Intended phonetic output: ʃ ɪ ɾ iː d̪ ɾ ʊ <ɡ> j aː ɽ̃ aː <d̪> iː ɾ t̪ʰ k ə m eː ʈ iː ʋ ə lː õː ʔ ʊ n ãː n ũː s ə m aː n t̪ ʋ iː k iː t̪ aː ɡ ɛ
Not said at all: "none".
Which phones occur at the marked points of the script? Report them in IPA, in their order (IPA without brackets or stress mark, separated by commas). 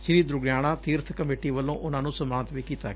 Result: ɡ, t̪